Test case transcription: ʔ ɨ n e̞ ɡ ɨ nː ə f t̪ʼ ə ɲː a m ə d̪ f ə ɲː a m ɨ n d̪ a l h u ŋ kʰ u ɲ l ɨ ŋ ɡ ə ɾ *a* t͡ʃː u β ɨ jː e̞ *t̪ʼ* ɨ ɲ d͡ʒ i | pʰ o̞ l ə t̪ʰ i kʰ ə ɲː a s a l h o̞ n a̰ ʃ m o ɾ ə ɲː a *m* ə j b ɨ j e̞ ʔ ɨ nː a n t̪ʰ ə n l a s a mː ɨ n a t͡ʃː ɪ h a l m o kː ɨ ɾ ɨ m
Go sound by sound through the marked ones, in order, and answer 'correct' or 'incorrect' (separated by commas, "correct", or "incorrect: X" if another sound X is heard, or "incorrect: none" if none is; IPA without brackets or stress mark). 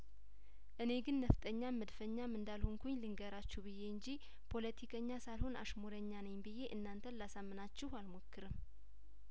correct, incorrect: none, incorrect: n